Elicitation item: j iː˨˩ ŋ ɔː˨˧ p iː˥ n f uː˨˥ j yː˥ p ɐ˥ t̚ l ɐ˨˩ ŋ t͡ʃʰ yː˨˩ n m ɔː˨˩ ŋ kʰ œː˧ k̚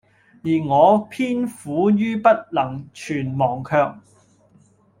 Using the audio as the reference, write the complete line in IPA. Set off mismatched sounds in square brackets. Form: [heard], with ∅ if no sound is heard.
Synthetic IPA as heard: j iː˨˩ ŋ ɔː˨˧ [pʰ] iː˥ n f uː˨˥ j yː˥ p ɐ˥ t̚ l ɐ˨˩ ŋ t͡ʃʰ yː˨˩ n m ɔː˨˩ ŋ kʰ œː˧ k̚